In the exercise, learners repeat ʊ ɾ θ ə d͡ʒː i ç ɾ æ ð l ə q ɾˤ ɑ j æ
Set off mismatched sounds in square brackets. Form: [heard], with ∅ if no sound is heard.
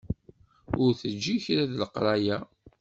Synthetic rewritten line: ʊ ɾ θ ə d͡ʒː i ç ɾ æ ð l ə q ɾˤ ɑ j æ